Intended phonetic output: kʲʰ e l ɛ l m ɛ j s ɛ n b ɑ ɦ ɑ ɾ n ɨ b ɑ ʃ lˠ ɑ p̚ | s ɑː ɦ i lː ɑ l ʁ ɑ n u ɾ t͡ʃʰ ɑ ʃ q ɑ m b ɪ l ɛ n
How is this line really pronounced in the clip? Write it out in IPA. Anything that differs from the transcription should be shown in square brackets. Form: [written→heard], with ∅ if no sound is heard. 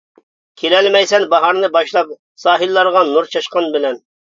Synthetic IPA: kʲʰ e l ɛ l m ɛ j s ɛ n b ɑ ɦ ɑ ɾ n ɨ b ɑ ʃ lˠ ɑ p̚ | s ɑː ɦ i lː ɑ [l→ɾ] ʁ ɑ n u ɾ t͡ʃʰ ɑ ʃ q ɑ [m→n] b ɪ l ɛ n